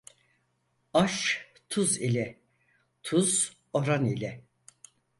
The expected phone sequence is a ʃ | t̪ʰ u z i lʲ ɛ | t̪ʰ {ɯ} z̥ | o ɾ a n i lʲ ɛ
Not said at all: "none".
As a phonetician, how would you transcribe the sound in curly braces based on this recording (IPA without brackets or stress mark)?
u